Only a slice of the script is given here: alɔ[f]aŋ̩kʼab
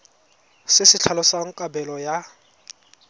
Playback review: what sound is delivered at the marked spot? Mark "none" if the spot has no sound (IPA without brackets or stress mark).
s